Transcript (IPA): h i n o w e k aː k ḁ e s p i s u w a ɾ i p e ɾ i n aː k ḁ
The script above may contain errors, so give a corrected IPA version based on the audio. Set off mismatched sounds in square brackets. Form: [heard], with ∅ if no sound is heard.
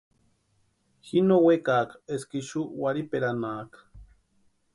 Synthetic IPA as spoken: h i n o w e k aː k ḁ e s [k] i [ʃ] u w a ɾ i p e ɾ [a] n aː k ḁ